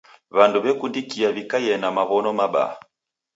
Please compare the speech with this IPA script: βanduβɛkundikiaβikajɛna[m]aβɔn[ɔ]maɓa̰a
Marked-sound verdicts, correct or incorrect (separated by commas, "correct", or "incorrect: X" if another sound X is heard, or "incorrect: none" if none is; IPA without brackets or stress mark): correct, correct